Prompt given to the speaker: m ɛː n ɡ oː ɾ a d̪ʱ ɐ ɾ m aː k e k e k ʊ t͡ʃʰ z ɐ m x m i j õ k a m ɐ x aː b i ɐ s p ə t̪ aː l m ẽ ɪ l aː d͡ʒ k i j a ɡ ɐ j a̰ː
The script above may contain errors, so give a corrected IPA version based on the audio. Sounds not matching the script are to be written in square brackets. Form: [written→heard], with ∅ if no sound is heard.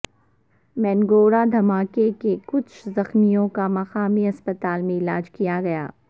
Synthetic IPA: m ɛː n ɡ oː ɾ a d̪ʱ ɐ [ɾ→∅] m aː k e k e k ʊ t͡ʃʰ z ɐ [m→∅] x m i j õ k a m ɐ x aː [b→m] i ɐ s p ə t̪ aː l m ẽ ɪ l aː d͡ʒ k i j a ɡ ɐ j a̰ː